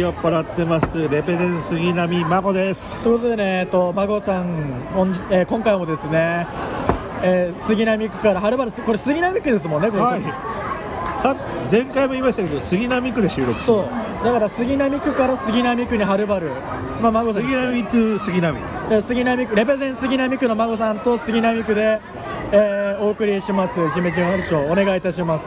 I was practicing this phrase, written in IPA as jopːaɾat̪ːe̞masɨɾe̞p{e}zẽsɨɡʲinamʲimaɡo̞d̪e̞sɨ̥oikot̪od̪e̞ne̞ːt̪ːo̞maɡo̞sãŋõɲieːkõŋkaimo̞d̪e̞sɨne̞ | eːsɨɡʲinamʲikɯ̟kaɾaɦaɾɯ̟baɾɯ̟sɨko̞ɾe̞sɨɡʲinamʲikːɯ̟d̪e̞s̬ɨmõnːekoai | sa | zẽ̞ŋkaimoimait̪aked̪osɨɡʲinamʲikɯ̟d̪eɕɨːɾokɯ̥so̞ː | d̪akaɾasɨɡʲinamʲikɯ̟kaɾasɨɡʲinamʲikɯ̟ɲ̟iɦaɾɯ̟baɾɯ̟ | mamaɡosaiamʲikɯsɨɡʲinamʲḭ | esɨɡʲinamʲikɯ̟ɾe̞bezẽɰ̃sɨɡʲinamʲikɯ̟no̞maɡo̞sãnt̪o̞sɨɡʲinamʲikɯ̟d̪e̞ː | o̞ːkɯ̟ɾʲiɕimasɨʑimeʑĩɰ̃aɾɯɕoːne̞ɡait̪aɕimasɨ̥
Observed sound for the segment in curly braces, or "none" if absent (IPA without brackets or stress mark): e